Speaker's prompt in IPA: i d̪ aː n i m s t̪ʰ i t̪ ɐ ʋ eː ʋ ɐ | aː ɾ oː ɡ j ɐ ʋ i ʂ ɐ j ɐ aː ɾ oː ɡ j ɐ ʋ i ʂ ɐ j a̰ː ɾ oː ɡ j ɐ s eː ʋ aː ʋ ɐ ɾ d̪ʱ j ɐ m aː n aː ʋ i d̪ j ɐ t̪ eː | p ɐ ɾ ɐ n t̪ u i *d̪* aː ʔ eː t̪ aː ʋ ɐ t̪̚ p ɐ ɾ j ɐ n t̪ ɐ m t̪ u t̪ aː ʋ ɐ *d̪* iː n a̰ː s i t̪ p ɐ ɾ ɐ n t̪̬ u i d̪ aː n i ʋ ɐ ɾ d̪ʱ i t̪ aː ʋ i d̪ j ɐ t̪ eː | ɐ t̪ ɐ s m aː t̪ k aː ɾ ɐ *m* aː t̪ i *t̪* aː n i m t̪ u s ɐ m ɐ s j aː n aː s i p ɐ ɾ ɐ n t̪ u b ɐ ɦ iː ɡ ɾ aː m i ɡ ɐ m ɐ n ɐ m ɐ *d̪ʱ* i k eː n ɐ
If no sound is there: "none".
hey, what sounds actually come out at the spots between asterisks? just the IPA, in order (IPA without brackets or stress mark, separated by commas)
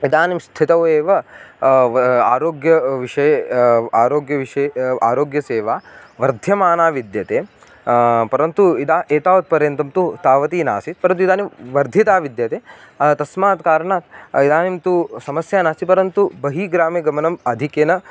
d̪, t̪, ɳ, d̪, d̪ʱ